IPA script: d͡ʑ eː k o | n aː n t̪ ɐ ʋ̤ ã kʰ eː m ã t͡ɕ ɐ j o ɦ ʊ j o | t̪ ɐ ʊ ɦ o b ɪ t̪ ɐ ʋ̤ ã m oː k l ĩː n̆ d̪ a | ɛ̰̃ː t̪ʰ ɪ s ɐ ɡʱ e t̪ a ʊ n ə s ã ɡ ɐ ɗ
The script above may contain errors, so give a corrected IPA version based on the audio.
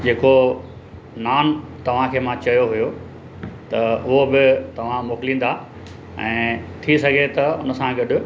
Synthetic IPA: d͡ʑ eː k o | n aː n t̪ ɐ ʋ̤ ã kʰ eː m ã t͡ɕ ɐ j o ɦ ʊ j o | t̪ ɐ ʊ ɦ o b ɪ t̪ ɐ ʋ̤ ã m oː k l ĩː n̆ d̪ a | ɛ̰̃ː t̪ʰ i s ɐ ɡʱ e t̪ ɐ ʊ n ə s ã ɡ ɐ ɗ